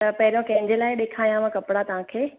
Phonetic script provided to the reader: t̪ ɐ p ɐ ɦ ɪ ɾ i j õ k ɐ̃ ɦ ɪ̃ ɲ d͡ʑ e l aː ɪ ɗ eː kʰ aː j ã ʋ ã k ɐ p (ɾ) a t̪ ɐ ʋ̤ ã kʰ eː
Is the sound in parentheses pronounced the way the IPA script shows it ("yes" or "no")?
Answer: no